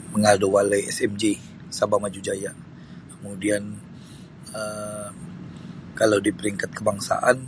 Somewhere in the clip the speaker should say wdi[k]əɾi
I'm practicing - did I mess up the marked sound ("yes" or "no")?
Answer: yes